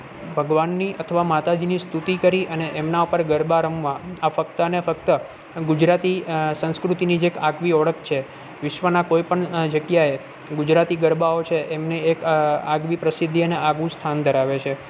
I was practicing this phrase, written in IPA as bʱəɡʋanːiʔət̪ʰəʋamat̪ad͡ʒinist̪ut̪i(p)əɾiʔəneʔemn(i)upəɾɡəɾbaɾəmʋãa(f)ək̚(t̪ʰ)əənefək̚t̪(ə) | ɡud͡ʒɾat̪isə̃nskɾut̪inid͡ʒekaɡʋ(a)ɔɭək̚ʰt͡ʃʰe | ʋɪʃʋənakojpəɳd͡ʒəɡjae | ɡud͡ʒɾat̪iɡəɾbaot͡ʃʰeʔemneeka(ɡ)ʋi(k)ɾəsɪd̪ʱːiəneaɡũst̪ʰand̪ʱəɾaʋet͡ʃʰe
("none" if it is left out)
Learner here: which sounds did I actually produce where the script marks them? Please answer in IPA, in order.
k, a, f, t̪, ə, i, ɡ, p

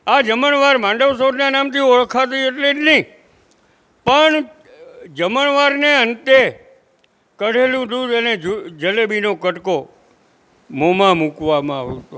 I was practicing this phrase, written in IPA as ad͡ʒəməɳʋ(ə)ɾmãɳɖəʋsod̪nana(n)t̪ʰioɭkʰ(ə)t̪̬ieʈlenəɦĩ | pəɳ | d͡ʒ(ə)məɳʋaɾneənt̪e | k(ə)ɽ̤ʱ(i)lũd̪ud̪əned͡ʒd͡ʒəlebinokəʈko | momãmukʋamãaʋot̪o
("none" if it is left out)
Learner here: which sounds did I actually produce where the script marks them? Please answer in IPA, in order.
a, m, a, ə, ə, e

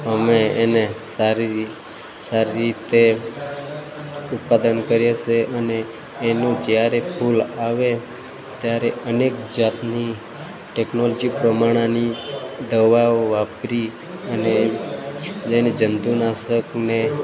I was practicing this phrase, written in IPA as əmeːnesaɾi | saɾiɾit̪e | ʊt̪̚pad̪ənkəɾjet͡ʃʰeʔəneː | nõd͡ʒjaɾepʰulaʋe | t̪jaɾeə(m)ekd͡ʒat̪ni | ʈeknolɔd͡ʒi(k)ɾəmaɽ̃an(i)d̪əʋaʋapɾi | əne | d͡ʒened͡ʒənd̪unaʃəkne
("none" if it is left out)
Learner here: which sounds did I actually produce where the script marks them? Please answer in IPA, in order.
n, p, i

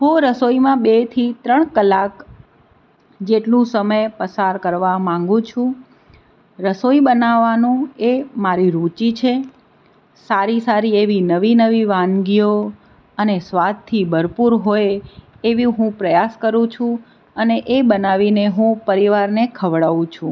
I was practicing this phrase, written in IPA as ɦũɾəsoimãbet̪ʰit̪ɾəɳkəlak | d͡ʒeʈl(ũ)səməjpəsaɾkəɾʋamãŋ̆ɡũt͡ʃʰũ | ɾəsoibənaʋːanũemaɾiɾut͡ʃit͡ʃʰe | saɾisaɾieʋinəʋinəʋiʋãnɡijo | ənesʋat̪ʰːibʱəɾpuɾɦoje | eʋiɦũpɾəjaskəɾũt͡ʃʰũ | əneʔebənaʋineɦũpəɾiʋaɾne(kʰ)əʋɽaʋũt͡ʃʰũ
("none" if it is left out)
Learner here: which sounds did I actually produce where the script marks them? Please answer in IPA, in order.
ũ, kʰ

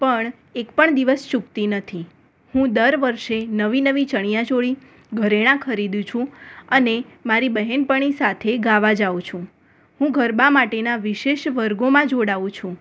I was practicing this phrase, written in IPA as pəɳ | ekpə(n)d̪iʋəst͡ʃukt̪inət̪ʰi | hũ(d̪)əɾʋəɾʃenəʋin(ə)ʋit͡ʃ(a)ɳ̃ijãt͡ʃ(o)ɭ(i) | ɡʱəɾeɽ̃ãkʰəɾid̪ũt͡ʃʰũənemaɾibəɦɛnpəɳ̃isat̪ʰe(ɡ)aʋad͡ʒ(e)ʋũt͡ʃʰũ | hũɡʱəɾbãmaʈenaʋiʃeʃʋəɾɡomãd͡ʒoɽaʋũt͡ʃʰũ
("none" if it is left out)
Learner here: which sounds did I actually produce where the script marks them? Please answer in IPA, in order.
ɳ, d̪, ə, ə, o, i, ɡ, a

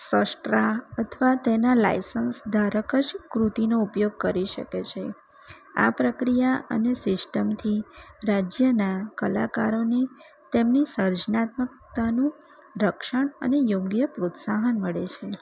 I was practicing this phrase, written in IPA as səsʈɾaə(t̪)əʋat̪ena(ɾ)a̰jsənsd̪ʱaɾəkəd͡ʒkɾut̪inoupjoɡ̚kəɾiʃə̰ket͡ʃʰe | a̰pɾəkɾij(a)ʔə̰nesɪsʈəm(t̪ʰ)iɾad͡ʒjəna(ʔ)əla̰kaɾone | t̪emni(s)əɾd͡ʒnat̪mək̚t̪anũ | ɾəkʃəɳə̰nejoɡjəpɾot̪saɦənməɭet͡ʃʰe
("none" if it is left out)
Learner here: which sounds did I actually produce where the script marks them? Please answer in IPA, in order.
t̪ʰ, l, a, t̪ʰ, k, s

